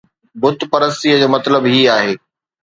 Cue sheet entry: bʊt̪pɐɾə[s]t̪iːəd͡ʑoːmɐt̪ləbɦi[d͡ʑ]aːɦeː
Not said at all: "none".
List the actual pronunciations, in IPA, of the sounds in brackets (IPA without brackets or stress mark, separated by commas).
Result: s, none